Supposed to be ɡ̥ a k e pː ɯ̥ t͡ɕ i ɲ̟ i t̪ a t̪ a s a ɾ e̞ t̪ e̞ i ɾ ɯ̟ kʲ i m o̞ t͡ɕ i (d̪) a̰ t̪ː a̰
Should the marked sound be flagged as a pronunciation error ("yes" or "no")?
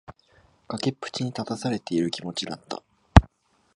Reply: no